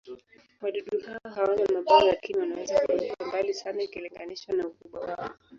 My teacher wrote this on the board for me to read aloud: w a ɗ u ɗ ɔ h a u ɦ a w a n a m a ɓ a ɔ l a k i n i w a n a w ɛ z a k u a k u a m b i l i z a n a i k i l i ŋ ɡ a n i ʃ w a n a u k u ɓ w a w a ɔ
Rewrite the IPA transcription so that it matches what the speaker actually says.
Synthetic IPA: w a ɗ u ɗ u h a ɔ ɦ a w a n a m a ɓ a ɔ l a k i n i w a n a w ɛ z a k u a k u a m b a l i s a n a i k i l i ŋ ɡ a n i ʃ w a n a u k u ɓ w a w a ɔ